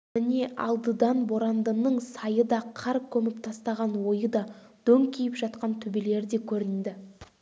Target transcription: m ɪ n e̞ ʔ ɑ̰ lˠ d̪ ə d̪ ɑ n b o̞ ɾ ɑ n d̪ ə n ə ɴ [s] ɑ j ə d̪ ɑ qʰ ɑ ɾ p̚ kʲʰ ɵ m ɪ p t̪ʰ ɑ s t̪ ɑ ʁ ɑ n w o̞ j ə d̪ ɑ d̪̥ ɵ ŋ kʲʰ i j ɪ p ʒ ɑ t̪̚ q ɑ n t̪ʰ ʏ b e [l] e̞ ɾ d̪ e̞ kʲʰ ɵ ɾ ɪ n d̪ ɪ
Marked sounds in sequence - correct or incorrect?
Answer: correct, correct

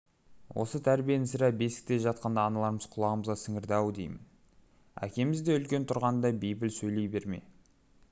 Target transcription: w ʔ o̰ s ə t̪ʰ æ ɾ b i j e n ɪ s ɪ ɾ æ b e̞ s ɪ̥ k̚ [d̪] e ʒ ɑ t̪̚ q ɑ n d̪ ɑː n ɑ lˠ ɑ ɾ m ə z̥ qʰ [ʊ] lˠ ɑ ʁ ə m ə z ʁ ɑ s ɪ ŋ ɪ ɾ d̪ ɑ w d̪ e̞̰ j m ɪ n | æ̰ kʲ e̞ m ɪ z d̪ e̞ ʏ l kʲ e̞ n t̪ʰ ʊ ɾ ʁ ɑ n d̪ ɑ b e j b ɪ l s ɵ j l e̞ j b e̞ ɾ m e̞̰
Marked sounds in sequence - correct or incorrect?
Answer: incorrect, correct

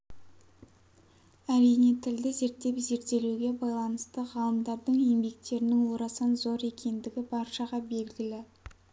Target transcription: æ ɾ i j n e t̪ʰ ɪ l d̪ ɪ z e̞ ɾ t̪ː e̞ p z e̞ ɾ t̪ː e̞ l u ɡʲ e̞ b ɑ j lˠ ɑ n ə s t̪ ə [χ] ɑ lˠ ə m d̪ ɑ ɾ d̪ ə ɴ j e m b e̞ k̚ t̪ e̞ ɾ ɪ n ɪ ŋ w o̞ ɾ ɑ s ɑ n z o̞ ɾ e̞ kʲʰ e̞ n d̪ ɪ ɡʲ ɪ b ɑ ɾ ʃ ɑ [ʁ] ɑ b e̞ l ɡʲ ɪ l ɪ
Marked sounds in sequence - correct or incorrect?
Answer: incorrect, correct

